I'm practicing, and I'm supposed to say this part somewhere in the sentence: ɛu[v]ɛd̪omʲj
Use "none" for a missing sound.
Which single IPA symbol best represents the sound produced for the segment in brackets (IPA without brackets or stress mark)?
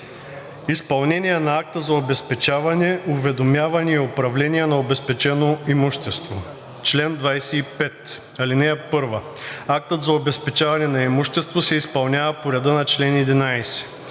v